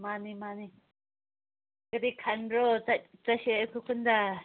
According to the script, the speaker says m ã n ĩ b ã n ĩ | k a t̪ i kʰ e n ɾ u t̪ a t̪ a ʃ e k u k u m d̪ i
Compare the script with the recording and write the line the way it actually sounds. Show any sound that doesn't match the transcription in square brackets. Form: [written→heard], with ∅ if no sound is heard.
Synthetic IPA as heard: m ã n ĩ [b→m] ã n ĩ | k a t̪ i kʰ [e→a] n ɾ [u→o] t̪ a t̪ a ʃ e k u k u [m→n] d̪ [i→a]